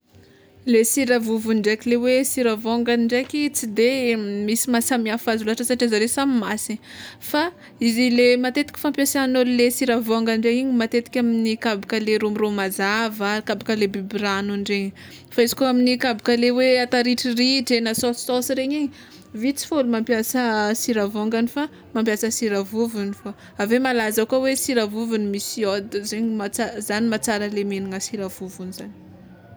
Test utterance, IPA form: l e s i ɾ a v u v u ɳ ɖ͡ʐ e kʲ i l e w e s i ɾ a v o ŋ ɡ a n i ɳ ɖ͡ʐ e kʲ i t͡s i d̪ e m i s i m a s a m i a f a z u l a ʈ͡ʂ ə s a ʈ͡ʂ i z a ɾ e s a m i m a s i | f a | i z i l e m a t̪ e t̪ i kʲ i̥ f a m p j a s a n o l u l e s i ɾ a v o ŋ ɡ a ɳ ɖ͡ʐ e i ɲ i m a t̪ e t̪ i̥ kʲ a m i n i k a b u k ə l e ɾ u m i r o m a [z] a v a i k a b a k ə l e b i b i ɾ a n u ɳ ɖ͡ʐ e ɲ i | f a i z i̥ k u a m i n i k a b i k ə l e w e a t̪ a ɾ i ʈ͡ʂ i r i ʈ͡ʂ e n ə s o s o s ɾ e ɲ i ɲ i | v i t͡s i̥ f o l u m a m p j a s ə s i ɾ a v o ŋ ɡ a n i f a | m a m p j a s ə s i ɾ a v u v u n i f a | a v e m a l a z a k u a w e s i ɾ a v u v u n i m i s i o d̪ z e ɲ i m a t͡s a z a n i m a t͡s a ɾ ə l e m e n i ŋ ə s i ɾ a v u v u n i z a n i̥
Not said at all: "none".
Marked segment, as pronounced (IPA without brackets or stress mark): z